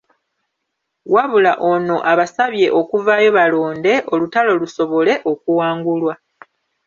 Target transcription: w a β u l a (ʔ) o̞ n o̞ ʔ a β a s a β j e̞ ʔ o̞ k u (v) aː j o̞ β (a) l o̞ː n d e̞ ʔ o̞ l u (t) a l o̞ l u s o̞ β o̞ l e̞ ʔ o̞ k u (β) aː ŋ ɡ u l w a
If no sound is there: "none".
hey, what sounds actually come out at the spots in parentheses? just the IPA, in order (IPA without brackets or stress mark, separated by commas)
ʔ, v, a, t, w